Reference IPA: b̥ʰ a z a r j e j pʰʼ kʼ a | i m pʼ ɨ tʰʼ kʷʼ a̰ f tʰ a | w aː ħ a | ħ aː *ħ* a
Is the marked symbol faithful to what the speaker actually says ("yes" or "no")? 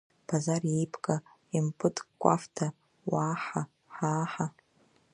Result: yes